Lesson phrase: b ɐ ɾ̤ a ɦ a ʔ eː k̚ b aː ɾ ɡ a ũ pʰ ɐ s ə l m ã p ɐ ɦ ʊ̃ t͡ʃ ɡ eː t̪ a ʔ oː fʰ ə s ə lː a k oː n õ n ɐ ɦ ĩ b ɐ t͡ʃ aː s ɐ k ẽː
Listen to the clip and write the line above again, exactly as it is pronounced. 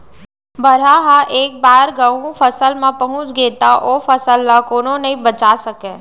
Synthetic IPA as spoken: b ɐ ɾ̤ a ɦ a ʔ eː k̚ b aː ɾ ɡ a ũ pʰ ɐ s ə l m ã p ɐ ɦ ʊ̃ t͡ʃ ɡ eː t̪ a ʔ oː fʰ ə s ə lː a k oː n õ n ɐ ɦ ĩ b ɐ t͡ʃ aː s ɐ k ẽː